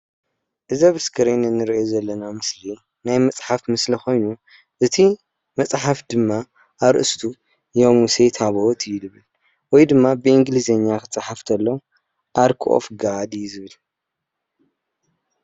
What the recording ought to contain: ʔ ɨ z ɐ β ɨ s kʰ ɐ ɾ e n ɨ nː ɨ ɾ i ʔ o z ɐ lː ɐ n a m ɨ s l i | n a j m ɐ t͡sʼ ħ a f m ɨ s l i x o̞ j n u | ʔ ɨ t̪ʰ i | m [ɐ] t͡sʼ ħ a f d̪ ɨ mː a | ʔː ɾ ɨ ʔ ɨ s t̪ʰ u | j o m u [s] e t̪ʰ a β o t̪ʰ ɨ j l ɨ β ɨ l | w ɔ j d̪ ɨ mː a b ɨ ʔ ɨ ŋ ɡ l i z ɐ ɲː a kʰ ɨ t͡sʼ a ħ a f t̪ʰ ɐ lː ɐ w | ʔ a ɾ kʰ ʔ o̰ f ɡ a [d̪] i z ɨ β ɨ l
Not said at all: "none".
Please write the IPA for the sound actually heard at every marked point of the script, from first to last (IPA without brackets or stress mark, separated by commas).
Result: ɐ, s, d̪